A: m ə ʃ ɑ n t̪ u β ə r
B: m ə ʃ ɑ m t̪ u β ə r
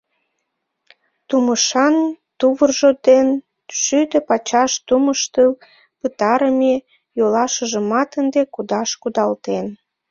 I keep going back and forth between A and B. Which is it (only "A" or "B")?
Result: A